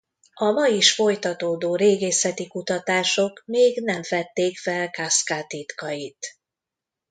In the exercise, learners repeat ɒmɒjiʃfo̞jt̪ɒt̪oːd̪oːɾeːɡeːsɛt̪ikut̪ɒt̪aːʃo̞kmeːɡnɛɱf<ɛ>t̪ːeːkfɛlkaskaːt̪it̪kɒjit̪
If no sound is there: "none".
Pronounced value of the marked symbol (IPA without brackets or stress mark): ɛ